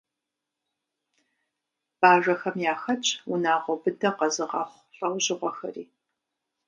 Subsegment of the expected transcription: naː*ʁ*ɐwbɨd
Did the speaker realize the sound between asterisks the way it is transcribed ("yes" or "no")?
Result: yes